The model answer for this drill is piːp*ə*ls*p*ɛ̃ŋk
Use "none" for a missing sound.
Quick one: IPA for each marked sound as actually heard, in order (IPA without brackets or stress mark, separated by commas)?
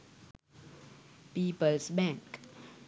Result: ə, b